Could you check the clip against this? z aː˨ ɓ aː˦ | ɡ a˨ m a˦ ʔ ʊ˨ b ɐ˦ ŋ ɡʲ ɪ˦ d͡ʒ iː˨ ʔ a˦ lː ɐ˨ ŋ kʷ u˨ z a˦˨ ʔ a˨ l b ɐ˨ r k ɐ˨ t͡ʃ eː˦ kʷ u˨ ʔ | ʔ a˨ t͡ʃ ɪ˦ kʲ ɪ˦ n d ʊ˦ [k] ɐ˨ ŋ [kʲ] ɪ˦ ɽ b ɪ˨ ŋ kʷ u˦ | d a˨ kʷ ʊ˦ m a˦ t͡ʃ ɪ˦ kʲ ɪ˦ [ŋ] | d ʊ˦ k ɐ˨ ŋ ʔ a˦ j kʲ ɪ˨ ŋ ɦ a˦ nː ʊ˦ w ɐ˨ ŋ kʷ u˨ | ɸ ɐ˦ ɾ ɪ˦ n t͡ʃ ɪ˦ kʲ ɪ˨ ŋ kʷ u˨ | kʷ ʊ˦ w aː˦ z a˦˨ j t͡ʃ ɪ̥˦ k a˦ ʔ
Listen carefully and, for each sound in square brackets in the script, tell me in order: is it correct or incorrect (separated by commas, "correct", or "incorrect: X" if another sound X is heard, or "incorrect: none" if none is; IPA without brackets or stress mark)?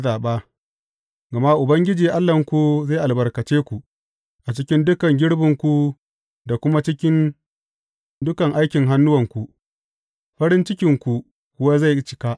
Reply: correct, incorrect: ɡʲ, incorrect: n